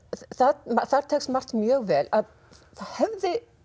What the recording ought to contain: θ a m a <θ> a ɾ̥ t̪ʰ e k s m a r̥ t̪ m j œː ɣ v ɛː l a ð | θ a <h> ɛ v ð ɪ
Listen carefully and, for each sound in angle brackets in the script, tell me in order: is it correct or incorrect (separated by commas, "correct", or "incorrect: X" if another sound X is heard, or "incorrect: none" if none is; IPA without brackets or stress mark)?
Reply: correct, correct